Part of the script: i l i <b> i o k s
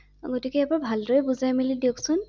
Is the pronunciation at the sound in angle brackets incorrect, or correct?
incorrect